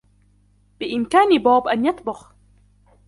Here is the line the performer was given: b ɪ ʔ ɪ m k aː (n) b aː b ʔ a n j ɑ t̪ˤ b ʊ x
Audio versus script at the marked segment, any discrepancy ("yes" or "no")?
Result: no